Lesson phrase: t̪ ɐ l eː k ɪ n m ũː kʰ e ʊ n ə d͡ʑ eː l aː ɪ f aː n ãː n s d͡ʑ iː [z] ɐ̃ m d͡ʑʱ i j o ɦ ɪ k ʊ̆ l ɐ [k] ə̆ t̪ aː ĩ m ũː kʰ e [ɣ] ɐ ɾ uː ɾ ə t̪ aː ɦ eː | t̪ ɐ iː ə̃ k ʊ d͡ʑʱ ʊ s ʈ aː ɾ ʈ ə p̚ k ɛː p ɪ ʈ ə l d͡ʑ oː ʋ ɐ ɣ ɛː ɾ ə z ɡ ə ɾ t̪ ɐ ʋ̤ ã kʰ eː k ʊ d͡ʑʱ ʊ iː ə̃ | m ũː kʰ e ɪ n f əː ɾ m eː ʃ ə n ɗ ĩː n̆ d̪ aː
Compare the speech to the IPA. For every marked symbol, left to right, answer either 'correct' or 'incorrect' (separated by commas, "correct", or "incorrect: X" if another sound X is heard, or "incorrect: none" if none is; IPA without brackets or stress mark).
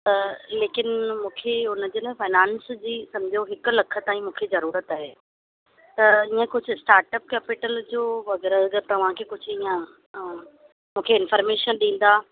incorrect: s, incorrect: kʰ, incorrect: z